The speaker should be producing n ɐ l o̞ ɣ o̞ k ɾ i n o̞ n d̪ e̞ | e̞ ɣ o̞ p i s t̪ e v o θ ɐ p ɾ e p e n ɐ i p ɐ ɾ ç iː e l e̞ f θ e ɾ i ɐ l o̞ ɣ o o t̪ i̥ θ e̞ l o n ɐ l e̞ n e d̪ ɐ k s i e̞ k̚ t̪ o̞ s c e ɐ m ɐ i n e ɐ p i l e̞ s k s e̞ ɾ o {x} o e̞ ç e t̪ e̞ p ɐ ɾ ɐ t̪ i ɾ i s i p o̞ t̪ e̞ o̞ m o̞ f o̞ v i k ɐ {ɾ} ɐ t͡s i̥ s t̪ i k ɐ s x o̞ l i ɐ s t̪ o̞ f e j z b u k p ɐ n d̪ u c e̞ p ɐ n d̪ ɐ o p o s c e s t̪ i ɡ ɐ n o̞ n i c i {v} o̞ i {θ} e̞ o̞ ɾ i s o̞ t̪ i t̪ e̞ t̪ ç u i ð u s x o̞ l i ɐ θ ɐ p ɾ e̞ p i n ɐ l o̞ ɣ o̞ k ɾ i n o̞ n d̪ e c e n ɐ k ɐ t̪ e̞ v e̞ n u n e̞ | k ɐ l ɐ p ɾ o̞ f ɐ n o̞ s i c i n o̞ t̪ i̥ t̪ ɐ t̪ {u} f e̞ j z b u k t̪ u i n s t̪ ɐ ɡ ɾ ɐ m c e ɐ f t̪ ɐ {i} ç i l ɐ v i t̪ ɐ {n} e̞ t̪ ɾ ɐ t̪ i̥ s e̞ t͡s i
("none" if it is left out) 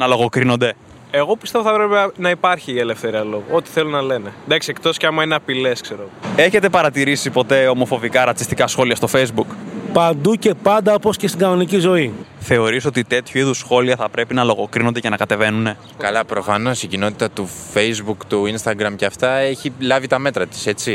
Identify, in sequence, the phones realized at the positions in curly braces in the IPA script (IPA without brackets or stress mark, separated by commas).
ɣ, ɾ, z, θ, u, e, m